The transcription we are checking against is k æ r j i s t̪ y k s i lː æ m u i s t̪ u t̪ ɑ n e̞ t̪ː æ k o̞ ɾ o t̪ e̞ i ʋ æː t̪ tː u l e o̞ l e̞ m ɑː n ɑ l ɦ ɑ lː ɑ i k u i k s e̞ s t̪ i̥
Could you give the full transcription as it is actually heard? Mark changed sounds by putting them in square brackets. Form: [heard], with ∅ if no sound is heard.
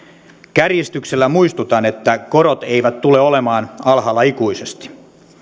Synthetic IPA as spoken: k æ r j i s t̪ y k s [e] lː æ m u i s t̪ u t̪ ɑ n e̞ t̪ː æ k o̞ ɾ o t̪ e̞ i ʋ [æ] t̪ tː u l e o̞ l e̞ m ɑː n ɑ l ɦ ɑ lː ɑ i k u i [∅] s e̞ s t̪ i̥